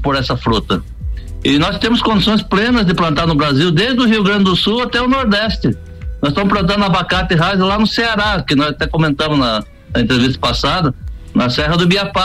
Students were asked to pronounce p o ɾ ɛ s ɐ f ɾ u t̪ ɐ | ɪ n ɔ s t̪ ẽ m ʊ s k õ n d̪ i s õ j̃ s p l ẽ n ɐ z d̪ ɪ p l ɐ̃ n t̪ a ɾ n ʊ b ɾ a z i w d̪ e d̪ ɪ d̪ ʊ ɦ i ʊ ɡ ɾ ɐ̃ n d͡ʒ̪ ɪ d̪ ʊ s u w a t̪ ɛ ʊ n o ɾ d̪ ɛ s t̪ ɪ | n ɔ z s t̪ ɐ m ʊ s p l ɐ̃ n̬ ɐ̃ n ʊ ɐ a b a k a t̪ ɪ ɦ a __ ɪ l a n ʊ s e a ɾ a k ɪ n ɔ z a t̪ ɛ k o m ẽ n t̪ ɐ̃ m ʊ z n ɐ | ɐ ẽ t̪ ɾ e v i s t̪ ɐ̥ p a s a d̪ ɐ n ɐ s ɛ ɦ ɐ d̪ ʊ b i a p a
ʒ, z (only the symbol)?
z